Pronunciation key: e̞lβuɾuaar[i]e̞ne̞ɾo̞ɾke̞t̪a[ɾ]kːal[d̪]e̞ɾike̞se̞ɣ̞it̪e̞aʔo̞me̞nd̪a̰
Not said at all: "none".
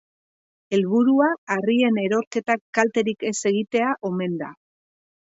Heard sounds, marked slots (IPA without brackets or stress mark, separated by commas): i, none, t̪